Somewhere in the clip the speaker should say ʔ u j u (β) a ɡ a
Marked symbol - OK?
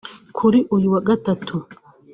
no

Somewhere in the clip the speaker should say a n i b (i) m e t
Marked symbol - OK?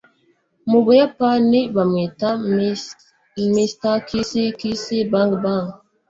no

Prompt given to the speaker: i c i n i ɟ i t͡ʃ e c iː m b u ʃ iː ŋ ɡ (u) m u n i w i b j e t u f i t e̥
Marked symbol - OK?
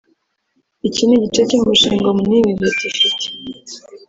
no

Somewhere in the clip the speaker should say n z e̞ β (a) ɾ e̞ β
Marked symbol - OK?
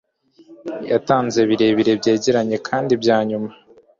no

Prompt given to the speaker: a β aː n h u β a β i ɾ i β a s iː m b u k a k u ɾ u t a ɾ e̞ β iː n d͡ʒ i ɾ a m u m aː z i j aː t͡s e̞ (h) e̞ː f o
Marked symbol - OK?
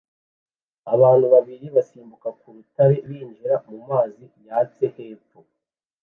yes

